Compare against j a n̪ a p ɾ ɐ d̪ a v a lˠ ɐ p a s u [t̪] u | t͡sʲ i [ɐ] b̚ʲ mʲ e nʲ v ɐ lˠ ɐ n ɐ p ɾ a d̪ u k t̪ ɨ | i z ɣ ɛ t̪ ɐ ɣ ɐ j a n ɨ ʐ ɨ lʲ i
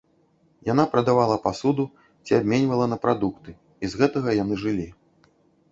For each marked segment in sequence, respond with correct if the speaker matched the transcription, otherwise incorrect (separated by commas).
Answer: incorrect, incorrect